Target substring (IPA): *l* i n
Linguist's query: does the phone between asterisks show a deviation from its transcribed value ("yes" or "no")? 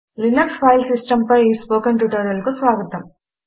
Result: no